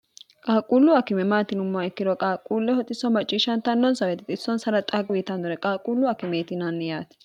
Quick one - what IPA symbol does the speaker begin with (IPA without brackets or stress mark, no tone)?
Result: kʼ